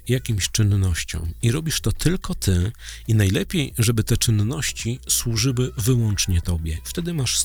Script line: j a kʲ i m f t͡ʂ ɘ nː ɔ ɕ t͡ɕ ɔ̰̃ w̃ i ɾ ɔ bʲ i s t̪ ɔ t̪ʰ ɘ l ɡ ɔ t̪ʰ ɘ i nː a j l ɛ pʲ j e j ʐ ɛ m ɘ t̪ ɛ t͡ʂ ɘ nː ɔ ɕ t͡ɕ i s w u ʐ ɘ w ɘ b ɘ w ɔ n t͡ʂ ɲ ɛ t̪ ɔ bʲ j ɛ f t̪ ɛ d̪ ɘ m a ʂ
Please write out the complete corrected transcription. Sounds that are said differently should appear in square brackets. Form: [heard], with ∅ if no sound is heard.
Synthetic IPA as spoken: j a kʲ i m [ɕ] t͡ʂ ɘ nː ɔ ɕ t͡ɕ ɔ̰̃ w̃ i ɾ ɔ bʲ i [ʂ] t̪ ɔ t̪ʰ ɘ l [k] ɔ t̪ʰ ɘ i [n] a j l ɛ pʲ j e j ʐ ɛ [b] ɘ t̪ ɛ t͡ʂ ɘ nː ɔ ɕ t͡ɕ i s w u ʐ ɘ w ɘ [v] ɘ w ɔ n t͡ʂ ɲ ɛ t̪ ɔ bʲ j ɛ f t̪ ɛ d̪ ɘ m a ʂ